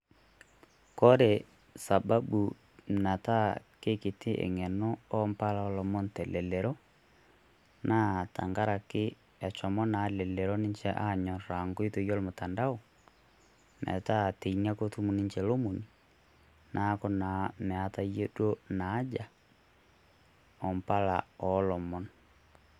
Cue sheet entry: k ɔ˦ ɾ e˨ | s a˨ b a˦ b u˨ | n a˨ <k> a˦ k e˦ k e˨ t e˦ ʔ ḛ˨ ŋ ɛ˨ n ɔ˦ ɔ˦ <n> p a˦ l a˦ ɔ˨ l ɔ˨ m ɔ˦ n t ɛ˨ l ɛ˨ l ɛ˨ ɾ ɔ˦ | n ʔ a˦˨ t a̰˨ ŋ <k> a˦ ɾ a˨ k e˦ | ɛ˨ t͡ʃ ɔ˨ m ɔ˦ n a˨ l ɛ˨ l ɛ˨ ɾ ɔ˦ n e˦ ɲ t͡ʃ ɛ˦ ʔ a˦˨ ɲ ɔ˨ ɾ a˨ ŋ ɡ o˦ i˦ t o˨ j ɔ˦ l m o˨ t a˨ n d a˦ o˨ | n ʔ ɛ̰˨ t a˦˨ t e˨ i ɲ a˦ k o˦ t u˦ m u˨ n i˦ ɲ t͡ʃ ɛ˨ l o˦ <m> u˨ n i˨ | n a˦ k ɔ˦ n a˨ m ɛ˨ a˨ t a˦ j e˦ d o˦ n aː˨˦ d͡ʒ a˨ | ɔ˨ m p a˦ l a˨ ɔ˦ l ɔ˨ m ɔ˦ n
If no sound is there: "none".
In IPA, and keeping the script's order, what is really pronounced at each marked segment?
t, m, ɡ, m

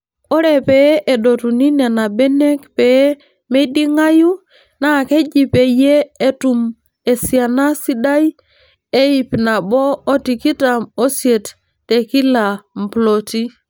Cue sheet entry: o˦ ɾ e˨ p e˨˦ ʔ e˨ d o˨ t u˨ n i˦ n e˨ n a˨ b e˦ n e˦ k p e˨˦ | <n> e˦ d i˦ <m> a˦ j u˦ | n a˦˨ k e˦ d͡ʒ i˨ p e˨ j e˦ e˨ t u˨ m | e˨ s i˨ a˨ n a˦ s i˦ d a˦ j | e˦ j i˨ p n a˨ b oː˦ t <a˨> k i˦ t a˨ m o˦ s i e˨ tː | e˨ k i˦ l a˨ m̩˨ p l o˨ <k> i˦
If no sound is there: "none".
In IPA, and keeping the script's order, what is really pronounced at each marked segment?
m, ŋ, i˨, t

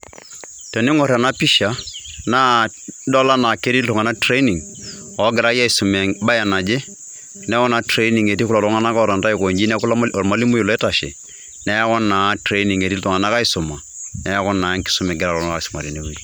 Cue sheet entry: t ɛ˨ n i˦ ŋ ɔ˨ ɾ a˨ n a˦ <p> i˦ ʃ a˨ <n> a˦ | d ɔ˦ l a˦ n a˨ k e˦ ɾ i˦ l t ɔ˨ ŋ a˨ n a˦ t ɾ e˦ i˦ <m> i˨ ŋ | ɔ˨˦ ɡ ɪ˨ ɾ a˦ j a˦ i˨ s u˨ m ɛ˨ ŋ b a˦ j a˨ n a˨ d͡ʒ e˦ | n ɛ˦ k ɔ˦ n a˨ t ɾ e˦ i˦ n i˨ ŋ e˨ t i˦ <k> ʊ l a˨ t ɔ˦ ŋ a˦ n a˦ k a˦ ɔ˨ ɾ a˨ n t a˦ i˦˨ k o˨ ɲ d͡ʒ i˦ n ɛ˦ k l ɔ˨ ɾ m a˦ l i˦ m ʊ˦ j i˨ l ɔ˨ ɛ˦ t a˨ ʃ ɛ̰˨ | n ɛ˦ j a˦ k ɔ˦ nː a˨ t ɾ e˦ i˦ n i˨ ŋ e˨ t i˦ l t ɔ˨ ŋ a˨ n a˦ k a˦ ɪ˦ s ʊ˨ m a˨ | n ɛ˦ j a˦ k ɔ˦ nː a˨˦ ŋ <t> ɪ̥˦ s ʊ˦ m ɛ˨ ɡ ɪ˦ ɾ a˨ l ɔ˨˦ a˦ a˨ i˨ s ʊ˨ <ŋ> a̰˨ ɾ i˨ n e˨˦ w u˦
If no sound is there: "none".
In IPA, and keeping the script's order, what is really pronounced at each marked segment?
p, n, n, k, k, m

